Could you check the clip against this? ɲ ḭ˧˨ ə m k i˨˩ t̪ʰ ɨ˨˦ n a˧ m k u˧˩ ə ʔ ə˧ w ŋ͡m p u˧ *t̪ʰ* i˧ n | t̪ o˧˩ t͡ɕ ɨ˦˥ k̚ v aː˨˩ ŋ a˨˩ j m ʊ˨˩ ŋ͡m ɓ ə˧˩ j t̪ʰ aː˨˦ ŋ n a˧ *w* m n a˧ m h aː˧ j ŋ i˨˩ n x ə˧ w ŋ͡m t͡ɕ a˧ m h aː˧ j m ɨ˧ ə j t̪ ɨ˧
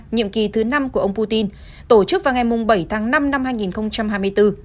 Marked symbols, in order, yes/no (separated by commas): no, no